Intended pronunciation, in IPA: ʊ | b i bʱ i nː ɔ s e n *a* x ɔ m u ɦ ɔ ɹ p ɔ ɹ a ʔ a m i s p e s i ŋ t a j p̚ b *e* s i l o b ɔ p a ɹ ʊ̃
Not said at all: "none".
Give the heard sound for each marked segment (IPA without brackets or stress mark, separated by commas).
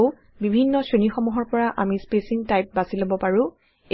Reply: i, a